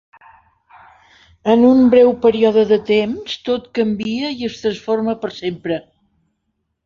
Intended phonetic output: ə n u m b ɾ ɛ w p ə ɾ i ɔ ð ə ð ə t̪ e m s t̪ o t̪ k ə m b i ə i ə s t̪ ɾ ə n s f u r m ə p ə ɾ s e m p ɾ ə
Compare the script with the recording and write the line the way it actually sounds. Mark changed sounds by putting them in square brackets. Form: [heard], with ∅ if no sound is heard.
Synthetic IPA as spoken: ə n u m b ɾ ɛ w p ə ɾ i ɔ ð ə ð ə t̪ e m s t̪ o t̪ k ə m b i ə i ə s t̪ ɾ ə n s f [o] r m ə p ə ɾ s e m p ɾ ə